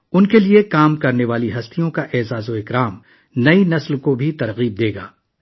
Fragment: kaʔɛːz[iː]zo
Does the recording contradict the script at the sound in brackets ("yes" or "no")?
yes